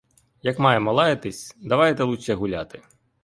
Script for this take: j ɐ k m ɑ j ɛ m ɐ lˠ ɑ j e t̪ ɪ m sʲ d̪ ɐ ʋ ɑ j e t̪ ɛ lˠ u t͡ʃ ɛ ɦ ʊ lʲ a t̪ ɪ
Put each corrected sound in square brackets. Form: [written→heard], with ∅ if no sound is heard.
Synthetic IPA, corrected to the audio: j ɐ k m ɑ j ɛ m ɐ lˠ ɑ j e t̪ ɪ [m→∅] sʲ d̪ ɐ ʋ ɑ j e t̪ ɛ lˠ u t͡ʃ ɛ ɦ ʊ lʲ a t̪ ɪ